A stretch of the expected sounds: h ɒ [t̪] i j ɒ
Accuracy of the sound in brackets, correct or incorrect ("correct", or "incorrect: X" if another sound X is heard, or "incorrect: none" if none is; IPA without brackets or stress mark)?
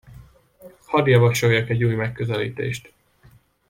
incorrect: d̪